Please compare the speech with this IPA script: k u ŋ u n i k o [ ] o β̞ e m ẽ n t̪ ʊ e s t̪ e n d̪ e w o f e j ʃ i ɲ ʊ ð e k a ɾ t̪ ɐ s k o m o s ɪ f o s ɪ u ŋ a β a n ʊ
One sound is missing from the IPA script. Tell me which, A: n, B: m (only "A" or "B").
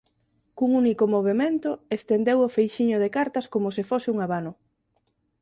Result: B